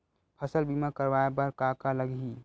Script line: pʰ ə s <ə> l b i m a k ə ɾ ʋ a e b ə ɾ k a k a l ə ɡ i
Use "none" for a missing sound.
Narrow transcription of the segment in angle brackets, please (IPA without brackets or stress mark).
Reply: ə